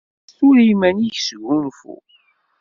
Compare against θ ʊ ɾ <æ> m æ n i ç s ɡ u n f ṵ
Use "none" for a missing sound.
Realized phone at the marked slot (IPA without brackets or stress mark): i